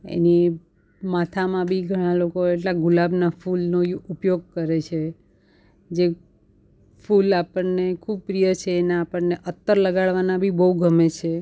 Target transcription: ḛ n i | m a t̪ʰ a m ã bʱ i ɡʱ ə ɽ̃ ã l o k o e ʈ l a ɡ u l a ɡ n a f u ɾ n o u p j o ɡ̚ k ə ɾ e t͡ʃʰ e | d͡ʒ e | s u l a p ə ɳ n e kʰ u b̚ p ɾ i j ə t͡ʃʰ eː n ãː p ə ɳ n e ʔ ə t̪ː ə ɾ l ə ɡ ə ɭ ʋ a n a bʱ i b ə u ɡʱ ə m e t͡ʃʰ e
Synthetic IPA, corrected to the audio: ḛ n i | m a t̪ʰ a m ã bʱ i ɡʱ ə ɽ̃ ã l o k o e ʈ l a ɡ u l a b n a f u l n o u p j o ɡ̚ k ə ɾ e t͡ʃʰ e | d͡ʒ e | f u l a p ə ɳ n e kʰ u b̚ p ɾ i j ə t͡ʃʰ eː n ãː p ə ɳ n e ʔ ə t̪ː ə ɾ l ə ɡ a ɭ ʋ a n a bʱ i b ə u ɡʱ ə m e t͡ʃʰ e